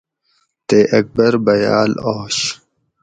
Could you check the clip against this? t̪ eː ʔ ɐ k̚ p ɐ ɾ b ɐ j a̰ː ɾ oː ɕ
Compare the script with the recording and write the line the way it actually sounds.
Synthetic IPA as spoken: t̪ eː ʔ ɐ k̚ b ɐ ɾ b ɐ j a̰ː l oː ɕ